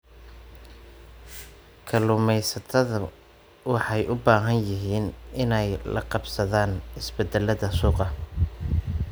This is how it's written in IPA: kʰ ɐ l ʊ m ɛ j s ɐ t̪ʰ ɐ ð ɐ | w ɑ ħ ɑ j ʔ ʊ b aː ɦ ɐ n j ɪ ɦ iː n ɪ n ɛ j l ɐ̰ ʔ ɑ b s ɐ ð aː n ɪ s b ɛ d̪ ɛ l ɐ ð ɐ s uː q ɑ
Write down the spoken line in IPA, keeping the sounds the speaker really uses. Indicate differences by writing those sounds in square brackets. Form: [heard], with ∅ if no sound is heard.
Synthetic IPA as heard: kʰ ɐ l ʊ m ɛ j s ɐ t̪ʰ ɐ ð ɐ | w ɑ ħ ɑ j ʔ ʊ b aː ɦ ɐ n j ɪ ɦ iː n ɪ n ɛ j l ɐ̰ [q] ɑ b s ɐ ð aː n ɪ s b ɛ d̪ ɛ l ɐ ð ɐ s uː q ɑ